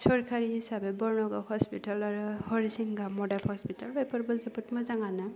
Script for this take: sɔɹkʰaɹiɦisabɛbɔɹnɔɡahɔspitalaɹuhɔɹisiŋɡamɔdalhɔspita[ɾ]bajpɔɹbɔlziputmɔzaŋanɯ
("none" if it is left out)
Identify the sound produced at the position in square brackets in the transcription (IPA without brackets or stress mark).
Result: l